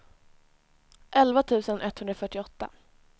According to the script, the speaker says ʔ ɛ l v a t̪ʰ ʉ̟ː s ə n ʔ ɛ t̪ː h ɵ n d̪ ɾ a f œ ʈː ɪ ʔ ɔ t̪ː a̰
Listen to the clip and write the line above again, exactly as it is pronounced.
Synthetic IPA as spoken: ʔ ɛ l v a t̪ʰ ʉ̟ː s ə n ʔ ɛ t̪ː h ɵ n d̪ ɾ a f œ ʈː ɪ ɔ t̪ː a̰